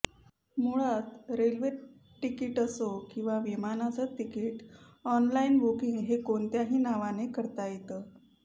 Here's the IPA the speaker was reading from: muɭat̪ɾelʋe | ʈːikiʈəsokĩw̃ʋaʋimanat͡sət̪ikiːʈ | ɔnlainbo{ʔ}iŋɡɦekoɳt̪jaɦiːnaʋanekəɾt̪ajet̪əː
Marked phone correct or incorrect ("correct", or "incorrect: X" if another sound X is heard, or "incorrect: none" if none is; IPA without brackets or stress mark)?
incorrect: k